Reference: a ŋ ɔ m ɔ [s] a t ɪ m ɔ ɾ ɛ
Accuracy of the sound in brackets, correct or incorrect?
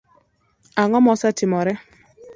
correct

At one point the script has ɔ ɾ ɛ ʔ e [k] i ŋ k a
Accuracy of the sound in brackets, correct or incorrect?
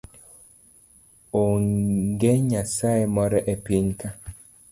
incorrect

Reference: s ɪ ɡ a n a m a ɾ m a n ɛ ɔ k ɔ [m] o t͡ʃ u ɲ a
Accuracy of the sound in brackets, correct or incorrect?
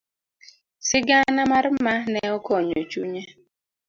incorrect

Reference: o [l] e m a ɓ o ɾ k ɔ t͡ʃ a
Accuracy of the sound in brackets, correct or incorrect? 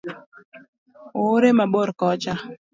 incorrect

